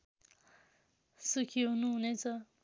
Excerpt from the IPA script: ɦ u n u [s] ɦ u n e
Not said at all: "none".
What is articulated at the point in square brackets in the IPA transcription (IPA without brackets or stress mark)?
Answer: none